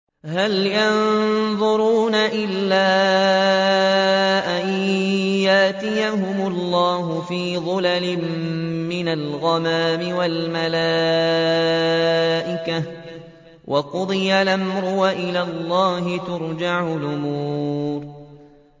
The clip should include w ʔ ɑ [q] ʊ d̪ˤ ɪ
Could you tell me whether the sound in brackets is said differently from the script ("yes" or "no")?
no